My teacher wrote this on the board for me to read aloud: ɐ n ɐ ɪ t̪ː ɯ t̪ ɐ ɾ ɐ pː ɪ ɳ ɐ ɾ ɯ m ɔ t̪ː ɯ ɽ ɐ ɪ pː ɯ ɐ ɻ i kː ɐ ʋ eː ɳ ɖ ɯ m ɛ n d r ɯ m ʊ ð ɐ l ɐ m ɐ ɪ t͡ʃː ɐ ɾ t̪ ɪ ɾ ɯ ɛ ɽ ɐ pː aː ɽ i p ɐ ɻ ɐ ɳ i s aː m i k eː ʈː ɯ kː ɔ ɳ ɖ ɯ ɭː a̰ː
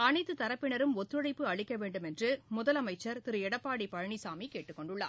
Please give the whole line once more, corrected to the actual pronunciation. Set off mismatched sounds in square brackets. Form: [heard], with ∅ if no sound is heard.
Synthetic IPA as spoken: ɐ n ɐ ɪ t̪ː ɯ t̪ ɐ ɾ ɐ pː ɪ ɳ ɐ ɾ ɯ m ɔ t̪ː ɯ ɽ ɐ ɪ pː ɯ ɐ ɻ [ɪ] kː ɐ ʋ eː ɳ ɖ ɯ m ɛ n d r ɯ m ʊ ð ɐ l ɐ m ɐ ɪ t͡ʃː ɐ ɾ t̪ ɪ ɾ ɯ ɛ ɽ ɐ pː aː ɽ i p ɐ ɻ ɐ ɳ i s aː m i k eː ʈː ɯ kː ɔ ɳ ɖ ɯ ɭː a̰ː